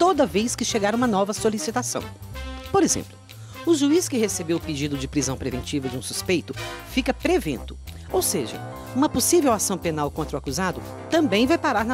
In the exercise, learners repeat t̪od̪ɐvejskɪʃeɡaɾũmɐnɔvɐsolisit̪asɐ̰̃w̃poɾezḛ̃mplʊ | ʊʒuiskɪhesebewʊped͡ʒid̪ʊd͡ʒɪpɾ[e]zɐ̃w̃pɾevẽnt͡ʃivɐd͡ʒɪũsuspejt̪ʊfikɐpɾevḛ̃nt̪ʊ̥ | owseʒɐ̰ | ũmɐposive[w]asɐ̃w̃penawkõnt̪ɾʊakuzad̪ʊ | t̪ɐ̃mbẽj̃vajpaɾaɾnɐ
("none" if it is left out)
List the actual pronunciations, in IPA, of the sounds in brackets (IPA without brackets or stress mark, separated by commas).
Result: i, w